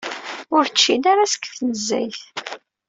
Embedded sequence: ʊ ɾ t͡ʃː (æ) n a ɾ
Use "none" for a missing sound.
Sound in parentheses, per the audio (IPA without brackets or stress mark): i